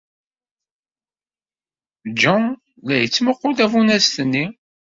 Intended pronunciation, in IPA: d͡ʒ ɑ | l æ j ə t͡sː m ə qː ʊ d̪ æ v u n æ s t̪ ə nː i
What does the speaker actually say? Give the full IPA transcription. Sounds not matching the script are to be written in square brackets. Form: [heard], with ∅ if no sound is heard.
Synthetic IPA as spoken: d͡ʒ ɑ | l æ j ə t͡sː m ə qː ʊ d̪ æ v u n æ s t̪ ə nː i